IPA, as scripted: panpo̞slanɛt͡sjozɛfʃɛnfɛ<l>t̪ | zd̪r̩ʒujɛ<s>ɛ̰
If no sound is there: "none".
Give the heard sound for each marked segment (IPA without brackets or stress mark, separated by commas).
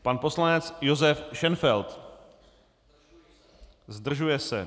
l, s